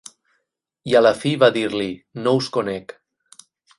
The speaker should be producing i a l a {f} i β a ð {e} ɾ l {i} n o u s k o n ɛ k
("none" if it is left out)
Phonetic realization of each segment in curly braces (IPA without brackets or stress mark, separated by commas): f, i, i